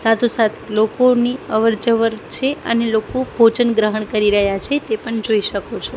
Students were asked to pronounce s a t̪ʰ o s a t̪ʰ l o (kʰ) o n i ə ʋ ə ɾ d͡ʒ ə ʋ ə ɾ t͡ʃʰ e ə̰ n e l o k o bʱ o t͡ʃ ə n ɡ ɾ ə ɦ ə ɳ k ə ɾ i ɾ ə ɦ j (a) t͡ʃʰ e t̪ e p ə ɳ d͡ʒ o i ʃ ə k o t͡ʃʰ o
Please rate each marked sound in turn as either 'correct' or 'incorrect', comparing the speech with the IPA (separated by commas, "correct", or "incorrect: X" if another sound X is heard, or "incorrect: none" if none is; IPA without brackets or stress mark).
incorrect: k, correct